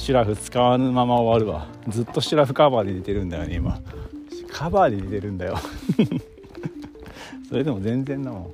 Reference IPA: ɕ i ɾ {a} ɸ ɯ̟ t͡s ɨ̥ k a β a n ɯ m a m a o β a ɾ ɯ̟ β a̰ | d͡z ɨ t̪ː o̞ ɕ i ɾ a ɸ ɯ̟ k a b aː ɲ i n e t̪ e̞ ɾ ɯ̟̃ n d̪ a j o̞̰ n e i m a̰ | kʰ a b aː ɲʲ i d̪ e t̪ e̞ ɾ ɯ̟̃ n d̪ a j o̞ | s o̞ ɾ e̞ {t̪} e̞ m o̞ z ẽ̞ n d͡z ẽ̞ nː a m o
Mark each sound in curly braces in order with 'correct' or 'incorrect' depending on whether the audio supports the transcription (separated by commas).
correct, incorrect